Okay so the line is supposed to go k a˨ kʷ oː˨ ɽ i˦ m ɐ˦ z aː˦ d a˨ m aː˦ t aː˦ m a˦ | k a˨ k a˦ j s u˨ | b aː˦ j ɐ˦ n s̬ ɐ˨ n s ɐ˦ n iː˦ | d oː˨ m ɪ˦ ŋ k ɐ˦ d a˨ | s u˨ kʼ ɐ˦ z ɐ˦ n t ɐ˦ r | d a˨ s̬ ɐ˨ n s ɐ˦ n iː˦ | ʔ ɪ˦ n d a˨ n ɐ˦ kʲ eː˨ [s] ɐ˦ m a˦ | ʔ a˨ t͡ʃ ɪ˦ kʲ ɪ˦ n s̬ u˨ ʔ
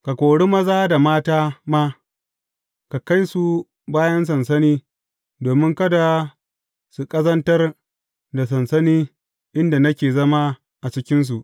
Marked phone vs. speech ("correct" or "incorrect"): incorrect